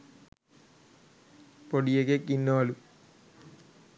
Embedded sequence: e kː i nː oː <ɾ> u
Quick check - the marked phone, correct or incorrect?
incorrect